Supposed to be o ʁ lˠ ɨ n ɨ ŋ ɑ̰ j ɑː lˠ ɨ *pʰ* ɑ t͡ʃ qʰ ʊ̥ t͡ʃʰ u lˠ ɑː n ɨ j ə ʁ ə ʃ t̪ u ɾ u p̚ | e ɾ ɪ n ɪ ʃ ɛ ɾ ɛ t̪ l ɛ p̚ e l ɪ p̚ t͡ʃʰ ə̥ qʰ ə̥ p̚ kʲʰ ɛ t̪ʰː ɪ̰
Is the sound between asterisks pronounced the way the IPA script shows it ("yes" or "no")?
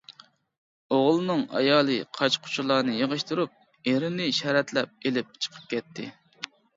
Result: no